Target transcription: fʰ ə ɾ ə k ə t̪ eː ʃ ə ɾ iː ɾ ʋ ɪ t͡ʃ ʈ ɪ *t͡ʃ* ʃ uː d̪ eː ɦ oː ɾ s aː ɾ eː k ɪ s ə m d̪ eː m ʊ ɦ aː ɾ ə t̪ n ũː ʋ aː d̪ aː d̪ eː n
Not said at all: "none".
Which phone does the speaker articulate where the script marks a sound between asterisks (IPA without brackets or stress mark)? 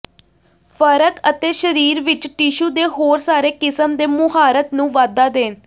none